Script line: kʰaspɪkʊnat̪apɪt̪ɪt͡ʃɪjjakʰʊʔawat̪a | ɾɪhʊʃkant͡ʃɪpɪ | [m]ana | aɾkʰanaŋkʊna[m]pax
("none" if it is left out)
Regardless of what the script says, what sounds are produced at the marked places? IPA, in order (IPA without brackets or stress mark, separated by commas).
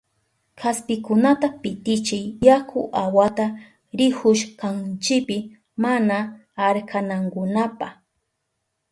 m, none